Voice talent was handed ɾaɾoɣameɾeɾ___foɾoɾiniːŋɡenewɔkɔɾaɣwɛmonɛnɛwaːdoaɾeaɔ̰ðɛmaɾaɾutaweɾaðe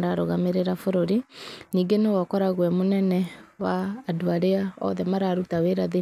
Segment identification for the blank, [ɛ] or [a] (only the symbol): a